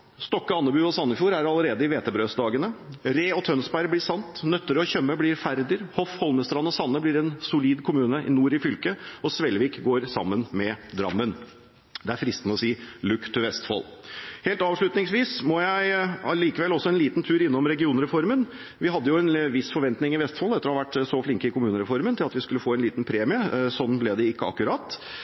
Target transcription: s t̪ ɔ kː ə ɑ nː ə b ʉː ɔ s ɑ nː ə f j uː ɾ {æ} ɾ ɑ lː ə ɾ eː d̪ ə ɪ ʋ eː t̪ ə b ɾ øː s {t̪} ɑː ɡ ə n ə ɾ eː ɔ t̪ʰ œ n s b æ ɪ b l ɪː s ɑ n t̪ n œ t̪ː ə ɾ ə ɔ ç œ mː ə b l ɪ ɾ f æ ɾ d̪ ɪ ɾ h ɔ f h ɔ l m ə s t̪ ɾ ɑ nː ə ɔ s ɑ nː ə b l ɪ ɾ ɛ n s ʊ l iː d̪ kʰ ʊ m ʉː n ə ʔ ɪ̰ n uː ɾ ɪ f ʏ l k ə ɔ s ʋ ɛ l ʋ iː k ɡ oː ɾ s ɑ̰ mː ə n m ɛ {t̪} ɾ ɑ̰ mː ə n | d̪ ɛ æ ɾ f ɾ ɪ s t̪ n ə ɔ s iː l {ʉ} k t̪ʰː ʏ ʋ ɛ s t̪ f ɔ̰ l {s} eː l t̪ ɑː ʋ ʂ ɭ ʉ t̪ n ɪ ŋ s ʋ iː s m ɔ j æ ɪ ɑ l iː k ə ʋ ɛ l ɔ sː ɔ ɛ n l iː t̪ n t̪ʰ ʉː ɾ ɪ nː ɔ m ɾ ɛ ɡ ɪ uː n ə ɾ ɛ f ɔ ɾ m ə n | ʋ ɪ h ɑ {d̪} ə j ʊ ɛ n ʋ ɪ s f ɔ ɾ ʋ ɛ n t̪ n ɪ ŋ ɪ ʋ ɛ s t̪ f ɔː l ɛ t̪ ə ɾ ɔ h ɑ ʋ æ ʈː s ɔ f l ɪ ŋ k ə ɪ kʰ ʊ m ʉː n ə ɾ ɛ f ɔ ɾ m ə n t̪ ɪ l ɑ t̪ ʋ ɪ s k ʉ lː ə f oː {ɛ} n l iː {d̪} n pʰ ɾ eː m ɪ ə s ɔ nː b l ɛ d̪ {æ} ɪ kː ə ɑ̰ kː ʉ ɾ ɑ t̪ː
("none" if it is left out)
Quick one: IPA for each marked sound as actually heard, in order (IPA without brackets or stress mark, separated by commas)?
æ, d̪, d̪, ʉ, h, d̪ː, ɛ, t̪, ɛ